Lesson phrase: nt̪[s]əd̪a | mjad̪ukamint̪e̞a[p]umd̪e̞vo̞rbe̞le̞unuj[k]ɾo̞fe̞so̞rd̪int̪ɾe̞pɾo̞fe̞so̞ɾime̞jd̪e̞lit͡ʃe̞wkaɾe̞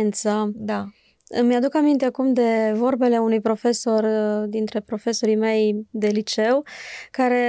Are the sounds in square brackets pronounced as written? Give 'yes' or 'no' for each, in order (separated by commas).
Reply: yes, no, no